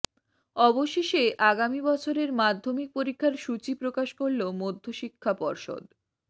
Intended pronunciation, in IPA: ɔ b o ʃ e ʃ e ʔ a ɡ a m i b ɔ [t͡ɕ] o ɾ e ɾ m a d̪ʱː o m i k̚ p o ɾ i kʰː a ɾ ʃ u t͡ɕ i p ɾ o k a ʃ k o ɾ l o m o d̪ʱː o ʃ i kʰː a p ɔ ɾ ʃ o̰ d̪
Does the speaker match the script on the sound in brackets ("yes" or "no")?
no